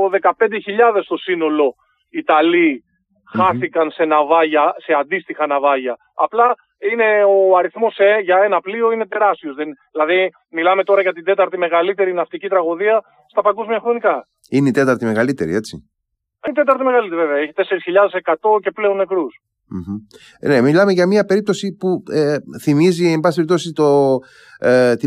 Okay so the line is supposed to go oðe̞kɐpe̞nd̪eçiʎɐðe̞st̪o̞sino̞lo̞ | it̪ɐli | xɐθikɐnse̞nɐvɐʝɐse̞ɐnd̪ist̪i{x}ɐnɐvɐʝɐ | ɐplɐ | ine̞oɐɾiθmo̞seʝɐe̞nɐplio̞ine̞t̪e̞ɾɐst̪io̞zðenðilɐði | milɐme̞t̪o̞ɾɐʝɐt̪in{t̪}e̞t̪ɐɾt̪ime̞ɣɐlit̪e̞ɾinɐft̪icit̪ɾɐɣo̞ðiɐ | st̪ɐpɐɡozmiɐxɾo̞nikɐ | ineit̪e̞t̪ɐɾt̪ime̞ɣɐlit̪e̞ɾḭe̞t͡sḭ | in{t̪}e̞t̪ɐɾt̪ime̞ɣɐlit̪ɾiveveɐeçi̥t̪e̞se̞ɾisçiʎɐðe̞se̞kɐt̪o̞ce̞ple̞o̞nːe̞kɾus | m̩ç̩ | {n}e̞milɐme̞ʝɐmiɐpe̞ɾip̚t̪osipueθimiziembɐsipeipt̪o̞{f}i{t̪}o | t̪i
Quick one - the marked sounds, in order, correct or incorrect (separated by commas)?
correct, incorrect, correct, correct, incorrect, correct